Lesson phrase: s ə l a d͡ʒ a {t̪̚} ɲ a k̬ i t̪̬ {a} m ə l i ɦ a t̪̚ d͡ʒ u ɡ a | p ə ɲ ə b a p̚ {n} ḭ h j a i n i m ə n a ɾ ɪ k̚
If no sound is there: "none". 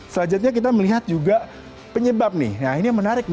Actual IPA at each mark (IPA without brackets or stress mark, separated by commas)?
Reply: t̪̚, a, n